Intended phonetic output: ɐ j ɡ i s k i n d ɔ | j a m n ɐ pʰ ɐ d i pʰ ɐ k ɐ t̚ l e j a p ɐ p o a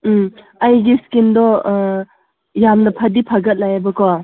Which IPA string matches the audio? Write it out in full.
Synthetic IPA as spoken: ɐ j ɡ i s k i n d ɔ | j a m n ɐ pʰ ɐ d i pʰ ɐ ɡ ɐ t̚ l a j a b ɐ k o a